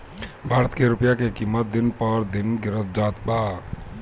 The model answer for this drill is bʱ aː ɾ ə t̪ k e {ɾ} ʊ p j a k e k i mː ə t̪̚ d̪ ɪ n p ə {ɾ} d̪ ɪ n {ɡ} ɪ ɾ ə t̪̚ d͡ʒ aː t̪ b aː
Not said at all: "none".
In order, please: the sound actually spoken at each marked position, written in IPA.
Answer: ɾ, ɾ, ɡ

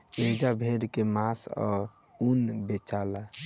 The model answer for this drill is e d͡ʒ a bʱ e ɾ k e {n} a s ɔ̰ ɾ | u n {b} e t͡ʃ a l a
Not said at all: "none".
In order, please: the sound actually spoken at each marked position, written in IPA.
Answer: m, b

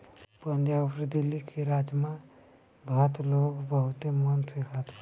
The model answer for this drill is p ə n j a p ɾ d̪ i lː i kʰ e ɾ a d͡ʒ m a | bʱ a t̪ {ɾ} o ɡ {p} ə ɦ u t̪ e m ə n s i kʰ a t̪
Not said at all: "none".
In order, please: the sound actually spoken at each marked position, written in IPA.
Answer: l, b

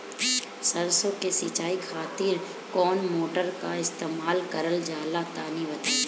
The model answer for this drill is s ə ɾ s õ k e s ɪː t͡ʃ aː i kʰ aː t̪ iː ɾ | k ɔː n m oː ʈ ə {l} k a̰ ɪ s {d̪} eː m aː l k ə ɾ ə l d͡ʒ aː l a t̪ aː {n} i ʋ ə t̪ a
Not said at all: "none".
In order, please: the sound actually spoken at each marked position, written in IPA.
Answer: ɾ, t̪, n

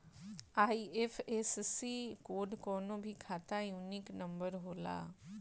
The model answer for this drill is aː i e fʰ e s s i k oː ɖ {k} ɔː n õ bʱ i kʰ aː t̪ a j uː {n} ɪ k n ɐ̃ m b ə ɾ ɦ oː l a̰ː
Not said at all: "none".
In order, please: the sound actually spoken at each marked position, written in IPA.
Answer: k, n

